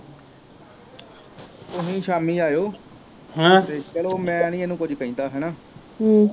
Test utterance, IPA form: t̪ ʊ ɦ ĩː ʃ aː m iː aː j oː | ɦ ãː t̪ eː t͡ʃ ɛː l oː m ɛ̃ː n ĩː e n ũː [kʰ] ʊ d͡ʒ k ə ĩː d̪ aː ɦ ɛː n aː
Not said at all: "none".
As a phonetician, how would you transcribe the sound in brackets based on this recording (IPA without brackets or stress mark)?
k